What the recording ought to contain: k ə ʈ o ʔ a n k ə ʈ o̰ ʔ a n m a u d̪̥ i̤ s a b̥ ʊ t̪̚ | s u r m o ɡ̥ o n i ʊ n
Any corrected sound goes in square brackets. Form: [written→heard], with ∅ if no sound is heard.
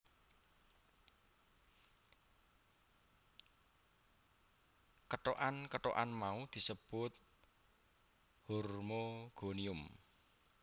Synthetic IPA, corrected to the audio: k ə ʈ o ʔ a n k ə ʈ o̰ ʔ a n m a u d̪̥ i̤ s [a→ə] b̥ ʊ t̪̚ | [s→h] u r m o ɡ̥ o n i ʊ [n→m]

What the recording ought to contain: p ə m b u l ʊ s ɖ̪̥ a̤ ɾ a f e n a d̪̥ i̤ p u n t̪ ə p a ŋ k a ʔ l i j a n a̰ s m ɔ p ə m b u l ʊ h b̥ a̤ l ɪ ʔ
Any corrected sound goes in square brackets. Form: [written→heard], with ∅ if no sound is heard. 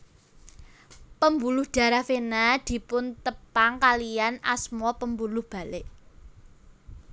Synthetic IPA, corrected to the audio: p ə m b u l ʊ [s→h] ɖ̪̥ a̤ ɾ a f e n a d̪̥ i̤ p [u→ʊ] n t̪ ə p a ŋ k a [ʔ→∅] l i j a n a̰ s m ɔ p ə m b u l ʊ h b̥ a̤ l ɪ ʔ

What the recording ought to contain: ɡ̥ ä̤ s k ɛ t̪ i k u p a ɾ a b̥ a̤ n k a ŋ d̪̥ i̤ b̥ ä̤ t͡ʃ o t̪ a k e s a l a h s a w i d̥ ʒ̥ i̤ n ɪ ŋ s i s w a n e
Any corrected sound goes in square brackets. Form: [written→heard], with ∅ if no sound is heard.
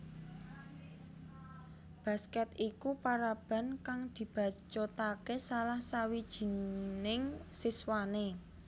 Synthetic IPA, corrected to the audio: [ɡ̥→b̥] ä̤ s k ɛ t̪ i k u p a ɾ a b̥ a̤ n k a ŋ d̪̥ i̤ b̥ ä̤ t͡ʃ o t̪ a k e s a l a h s a w i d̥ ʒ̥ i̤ n ɪ ŋ s i s w a n e

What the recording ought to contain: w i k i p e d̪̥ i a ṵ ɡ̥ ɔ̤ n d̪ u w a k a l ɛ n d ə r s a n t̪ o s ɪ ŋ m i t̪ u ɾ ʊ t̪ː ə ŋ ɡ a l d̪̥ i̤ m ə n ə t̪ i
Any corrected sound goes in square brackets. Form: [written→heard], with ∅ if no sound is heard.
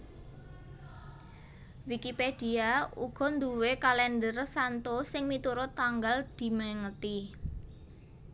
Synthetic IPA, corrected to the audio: w i k i p e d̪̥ i a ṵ ɡ̥ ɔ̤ n d̪ u w [a→e] k a l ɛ n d ə r s a n t̪ o s ɪ ŋ m i t̪ u ɾ ʊ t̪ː [ə→a] ŋ ɡ a l d̪̥ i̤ m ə [n→ŋ] ə t̪ i

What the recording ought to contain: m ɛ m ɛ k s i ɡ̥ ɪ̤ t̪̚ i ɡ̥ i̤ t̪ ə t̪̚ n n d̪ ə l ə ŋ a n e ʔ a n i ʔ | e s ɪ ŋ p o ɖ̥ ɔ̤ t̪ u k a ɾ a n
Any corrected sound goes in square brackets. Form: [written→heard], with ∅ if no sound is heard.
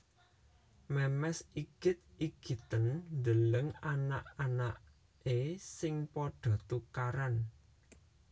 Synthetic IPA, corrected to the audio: m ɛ m ɛ [k→∅] s i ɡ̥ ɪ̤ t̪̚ i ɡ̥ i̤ t̪ ə [t̪̚→∅] n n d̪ ə l ə ŋ a n [e→a] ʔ a n [i→a] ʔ | e s ɪ ŋ p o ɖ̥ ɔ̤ t̪ u k a ɾ a n

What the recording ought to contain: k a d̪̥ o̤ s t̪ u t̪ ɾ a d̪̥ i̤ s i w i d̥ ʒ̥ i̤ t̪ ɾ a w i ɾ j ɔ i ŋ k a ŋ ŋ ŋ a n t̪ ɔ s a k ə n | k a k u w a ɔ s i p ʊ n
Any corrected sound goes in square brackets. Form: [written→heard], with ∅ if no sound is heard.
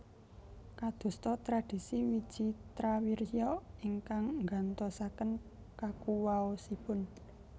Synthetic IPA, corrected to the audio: k a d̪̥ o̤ s t̪ [u→ɔ] t̪ ɾ a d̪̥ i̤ s i w i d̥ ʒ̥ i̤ t̪ ɾ a w i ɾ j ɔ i ŋ k a ŋ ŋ [ŋ→ɡ] a n t̪ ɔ s a k ə n | k a k u w a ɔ s i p ʊ n

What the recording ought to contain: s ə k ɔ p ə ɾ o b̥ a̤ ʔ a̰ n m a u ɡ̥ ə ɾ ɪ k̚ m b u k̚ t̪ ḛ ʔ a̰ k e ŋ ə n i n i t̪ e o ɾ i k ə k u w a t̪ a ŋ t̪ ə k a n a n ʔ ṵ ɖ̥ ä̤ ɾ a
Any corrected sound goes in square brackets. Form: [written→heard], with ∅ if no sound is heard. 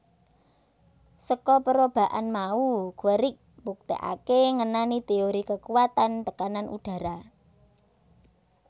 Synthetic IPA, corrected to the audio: s ə k ɔ p ə ɾ o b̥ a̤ ʔ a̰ n m a u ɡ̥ ə ɾ ɪ k̚ m b u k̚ t̪ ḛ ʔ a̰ k e ŋ ə n [i→a] n i t̪ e o ɾ i k ə k u w a t̪ a [ŋ→n] t̪ ə k a n a n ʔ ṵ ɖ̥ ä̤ ɾ a

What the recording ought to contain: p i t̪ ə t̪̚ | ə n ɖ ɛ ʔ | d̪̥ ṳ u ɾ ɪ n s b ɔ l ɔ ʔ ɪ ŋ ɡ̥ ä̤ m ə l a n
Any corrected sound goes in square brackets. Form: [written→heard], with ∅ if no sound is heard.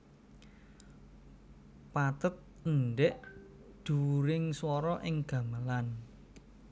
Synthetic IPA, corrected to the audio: p [i→a] t̪ ə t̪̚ | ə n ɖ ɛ ʔ | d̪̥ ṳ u ɾ ɪ [n→ŋ] s [b→w] ɔ [l→ɾ] ɔ ʔ ɪ ŋ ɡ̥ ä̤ m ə l a n

